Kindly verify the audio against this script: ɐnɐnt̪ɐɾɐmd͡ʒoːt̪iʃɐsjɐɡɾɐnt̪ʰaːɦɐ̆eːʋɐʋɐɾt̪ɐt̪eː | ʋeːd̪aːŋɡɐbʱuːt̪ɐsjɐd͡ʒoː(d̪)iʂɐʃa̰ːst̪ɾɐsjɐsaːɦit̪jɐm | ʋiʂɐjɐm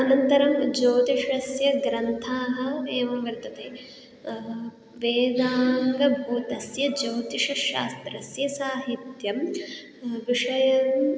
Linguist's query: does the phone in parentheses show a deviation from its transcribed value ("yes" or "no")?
yes